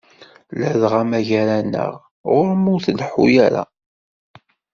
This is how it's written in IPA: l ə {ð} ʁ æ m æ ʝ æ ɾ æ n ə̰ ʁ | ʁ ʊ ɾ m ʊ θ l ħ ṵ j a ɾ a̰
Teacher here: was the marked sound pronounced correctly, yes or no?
yes